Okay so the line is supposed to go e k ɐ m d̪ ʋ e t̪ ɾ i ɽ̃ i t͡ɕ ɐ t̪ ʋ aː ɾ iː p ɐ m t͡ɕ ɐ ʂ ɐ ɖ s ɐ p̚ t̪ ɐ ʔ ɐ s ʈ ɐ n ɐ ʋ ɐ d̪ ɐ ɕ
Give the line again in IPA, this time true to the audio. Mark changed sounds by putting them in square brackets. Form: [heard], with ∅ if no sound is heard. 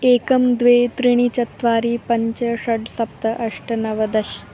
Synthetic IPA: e k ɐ m d̪ ʋ e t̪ ɾ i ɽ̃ i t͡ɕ ɐ t̪ ʋ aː ɾ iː p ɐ [ɲ] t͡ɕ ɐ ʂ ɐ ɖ s ɐ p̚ t̪ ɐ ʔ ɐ [ʂ] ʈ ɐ n ɐ ʋ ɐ d̪ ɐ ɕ